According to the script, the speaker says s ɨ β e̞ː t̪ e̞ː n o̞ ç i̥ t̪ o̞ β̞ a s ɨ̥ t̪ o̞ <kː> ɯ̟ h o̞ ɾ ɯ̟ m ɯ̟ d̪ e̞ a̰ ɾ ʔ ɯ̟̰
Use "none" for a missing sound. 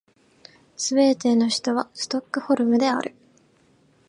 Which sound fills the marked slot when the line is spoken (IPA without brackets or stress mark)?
kː